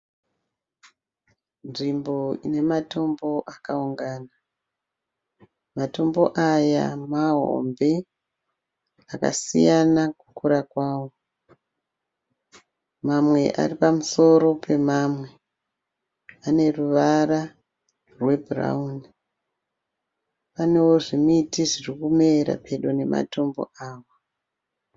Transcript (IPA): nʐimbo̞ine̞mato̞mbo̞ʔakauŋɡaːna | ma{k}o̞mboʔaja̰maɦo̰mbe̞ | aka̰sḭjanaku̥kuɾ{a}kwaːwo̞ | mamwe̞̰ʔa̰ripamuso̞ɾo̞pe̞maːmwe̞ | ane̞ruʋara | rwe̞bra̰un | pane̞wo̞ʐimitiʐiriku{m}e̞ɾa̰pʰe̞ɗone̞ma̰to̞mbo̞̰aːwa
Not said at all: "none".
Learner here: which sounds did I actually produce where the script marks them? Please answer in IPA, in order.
t, a, m

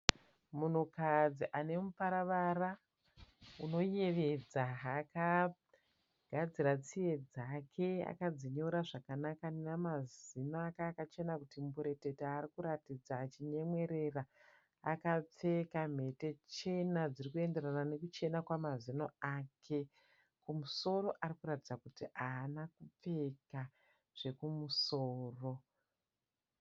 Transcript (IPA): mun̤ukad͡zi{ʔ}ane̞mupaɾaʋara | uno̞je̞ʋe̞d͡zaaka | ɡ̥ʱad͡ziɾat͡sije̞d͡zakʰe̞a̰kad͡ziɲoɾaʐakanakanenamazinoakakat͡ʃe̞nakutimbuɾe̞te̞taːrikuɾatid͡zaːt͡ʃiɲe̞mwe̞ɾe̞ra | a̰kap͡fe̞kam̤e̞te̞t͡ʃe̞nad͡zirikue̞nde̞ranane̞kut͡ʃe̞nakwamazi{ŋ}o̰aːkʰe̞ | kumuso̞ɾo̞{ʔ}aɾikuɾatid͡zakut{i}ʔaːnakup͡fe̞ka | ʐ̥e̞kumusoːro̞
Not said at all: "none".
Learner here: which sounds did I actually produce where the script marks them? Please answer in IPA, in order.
ʔ, n, ʔ, i

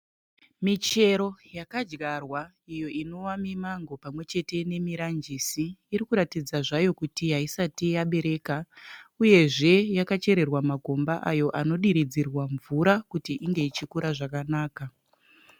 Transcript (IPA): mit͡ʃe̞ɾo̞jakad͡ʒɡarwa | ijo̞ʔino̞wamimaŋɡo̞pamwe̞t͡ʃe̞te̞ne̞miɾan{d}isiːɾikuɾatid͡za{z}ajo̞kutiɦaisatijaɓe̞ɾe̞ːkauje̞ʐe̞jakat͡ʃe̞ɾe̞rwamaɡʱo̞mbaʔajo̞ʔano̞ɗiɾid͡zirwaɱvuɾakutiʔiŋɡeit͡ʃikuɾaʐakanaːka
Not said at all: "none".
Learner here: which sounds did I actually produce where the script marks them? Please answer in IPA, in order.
d͡ʒ, ʐ

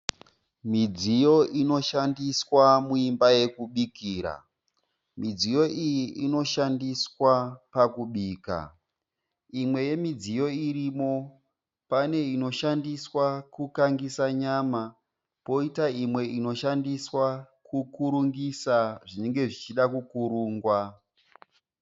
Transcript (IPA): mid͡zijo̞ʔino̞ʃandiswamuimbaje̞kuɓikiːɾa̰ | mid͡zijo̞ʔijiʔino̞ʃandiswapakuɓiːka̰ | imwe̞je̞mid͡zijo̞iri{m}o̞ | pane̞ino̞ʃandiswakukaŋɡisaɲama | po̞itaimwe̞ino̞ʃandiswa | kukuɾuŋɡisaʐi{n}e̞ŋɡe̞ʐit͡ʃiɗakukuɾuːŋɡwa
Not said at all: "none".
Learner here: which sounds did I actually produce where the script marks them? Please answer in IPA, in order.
m, n

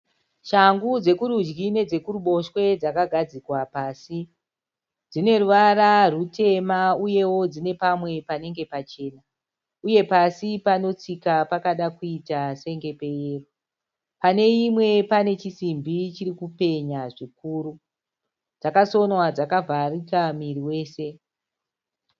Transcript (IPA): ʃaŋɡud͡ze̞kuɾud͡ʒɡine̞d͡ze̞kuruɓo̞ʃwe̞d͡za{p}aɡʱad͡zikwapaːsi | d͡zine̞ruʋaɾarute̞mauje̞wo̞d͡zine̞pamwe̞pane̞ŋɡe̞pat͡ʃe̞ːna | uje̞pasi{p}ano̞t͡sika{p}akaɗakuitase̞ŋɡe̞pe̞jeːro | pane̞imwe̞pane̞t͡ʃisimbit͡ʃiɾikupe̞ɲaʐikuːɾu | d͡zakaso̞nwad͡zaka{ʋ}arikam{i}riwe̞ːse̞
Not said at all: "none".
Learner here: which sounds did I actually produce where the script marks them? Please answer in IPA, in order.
k, p, p, v, i

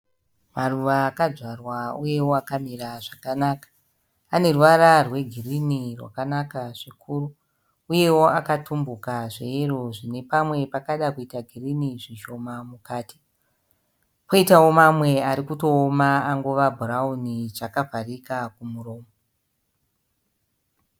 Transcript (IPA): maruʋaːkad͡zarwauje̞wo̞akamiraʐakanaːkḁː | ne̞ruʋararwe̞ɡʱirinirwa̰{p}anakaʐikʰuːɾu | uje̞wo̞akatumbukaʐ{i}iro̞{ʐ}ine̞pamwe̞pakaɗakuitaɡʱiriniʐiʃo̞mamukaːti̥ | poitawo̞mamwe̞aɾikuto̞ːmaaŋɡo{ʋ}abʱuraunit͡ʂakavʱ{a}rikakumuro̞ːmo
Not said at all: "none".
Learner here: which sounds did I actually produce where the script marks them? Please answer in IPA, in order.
k, e, ʐ, ʋ, a

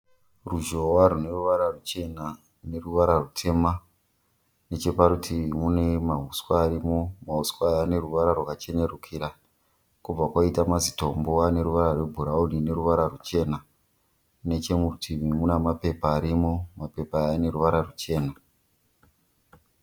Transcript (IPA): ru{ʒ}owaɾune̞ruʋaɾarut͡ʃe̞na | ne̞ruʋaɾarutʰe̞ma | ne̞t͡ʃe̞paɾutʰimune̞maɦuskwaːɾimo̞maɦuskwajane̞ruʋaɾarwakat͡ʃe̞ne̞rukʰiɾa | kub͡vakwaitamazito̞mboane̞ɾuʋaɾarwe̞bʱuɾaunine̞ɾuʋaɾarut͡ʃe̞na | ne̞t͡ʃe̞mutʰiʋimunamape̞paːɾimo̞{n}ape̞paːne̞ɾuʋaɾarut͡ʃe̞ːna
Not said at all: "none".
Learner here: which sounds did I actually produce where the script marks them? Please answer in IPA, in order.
ʒ, m

